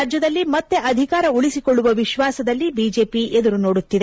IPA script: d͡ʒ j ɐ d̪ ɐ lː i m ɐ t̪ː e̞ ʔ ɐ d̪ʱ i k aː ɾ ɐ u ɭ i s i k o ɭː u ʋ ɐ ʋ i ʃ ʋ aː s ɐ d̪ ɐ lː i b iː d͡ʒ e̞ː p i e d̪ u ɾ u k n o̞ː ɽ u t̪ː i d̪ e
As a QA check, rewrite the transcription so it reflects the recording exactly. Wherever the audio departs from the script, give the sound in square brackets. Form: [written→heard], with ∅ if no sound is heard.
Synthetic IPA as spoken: d͡ʒ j ɐ d̪ ɐ lː i m ɐ t̪ː e̞ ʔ ɐ d̪ʱ i k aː ɾ ɐ u ɭ i s i k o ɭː u ʋ ɐ ʋ i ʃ ʋ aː s ɐ d̪ ɐ lː i b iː d͡ʒ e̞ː p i e d̪ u ɾ u [k→∅] n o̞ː ɽ u t̪ː i d̪ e